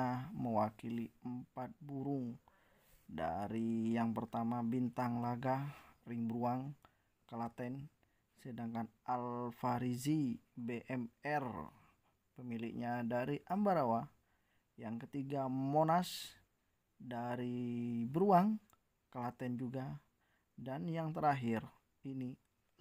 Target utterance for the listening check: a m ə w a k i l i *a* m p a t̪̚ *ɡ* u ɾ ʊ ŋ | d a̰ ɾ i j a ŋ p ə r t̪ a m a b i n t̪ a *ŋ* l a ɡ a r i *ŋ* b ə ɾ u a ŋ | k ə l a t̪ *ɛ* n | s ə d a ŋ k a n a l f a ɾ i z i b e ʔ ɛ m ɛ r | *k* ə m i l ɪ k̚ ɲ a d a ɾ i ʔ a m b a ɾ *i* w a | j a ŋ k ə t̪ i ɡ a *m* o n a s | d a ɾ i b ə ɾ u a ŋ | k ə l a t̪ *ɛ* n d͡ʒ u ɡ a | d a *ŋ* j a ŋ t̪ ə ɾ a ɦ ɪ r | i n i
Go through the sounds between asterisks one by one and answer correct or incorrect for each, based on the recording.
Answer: incorrect: ə, incorrect: b, correct, correct, correct, incorrect: p, incorrect: a, correct, correct, incorrect: n

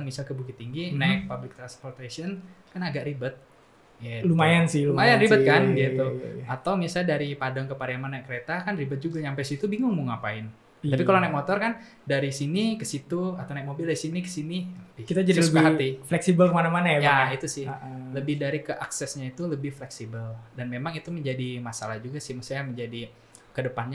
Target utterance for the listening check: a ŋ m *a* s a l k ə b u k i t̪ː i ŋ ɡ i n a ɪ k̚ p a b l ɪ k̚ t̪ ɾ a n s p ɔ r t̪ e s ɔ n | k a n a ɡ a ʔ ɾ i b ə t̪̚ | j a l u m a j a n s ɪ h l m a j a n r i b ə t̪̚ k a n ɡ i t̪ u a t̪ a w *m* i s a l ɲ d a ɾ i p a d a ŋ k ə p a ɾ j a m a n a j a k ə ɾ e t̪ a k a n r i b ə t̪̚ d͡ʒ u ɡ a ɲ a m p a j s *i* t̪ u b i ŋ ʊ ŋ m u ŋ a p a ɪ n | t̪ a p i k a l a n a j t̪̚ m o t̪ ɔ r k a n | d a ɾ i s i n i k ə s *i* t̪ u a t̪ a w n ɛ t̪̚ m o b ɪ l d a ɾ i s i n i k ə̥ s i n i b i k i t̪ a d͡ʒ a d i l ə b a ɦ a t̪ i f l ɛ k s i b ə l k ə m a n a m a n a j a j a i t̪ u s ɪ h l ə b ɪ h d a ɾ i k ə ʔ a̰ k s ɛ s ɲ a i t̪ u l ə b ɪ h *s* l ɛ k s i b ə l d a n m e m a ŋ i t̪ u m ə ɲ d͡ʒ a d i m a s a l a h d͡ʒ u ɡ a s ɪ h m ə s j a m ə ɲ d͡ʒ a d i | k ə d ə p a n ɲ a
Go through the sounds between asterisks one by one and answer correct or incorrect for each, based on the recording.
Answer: incorrect: i, correct, correct, correct, incorrect: f

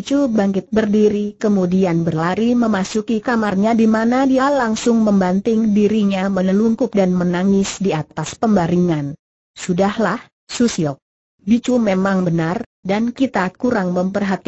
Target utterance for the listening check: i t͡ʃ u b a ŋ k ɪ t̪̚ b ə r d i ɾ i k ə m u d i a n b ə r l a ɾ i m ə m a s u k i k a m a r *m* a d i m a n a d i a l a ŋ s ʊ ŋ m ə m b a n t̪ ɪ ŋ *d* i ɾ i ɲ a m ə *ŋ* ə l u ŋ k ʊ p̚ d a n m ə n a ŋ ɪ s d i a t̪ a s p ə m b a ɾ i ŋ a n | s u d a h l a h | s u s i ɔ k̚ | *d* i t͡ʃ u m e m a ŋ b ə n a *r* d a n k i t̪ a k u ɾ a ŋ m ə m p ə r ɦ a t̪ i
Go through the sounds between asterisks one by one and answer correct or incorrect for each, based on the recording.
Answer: incorrect: ɲ, correct, incorrect: n, incorrect: b, correct

